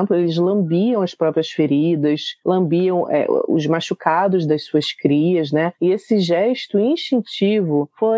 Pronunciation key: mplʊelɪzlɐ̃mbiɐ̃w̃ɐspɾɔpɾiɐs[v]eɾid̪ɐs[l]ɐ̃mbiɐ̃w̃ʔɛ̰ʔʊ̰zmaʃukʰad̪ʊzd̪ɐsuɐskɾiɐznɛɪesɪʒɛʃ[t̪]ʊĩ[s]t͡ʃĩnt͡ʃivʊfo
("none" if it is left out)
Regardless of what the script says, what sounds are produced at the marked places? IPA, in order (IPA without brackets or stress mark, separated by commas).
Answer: f, l, t̪, ʃ